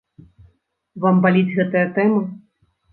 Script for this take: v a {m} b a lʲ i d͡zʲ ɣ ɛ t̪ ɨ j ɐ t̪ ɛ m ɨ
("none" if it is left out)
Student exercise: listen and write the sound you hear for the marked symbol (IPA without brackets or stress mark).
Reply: m